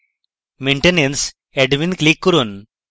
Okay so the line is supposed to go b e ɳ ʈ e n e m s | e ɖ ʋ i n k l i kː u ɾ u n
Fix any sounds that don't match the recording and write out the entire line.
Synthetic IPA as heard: m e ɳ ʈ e n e n s | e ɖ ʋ i n k l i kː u ɾ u n